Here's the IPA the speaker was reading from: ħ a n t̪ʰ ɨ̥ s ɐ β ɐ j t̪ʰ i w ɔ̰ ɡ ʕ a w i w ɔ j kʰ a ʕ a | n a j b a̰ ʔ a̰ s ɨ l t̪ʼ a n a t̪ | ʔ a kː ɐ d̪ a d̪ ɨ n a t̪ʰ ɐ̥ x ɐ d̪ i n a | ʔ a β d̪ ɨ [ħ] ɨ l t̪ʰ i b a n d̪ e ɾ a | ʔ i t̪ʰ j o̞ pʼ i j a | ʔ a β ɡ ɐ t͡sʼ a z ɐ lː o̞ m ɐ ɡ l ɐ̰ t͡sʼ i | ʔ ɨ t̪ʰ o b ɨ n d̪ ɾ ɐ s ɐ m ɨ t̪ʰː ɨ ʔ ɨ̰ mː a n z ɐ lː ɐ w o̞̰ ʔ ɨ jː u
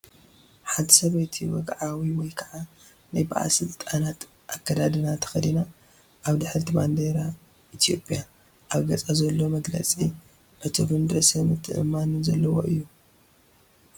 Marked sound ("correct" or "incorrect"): correct